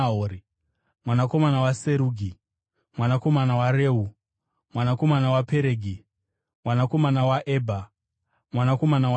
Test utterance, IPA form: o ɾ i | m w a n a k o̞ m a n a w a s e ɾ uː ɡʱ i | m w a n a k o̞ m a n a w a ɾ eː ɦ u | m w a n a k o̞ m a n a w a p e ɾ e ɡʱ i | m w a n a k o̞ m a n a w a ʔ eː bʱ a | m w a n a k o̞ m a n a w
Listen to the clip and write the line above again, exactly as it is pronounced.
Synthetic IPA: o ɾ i | m w a n a k o̞ m a n a w a s e ɾ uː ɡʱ i | m w a n a k o̞ m a n a w a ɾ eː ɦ u | m w a n a k o̞ m a n a w a p e ɾ e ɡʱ i | m w a n a k o̞ m a n a w a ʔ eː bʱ a | m w a n a k o̞ m a n a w